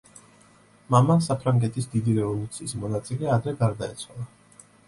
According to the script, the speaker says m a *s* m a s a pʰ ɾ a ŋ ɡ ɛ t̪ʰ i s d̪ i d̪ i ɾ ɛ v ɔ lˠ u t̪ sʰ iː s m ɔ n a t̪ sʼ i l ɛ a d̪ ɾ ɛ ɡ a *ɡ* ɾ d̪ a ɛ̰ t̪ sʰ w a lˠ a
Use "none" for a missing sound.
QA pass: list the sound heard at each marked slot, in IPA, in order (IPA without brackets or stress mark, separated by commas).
none, none